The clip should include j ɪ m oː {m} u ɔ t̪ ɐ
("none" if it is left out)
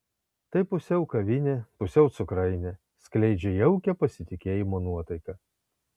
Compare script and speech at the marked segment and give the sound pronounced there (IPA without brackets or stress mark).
n